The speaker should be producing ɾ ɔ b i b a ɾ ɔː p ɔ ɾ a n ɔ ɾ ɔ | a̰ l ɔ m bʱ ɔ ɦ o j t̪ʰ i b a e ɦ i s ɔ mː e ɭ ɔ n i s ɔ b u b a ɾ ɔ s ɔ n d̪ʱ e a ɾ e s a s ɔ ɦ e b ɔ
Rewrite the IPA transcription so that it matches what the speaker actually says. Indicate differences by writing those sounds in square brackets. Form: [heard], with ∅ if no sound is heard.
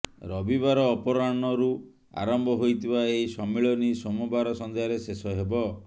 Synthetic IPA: ɾ ɔ b i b a ɾ ɔː p ɔ ɾ a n ɔ ɾ [u] | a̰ [ɾ] ɔ m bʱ ɔ ɦ o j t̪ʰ i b a e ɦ i s ɔ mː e ɭ ɔ n i s ɔ [m] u b a ɾ ɔ s ɔ n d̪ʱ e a ɾ e s [e] s ɔ ɦ e b ɔ